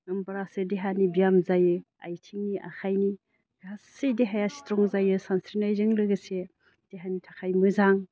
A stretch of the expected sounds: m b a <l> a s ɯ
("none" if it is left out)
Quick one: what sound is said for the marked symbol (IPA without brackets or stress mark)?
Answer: ɾ